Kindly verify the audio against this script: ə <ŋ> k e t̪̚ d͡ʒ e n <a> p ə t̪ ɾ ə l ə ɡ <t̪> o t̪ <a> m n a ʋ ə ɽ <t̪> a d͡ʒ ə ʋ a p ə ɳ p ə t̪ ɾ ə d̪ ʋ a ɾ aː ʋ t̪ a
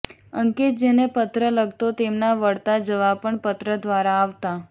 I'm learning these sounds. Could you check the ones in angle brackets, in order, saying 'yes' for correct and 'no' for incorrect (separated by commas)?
yes, no, yes, no, yes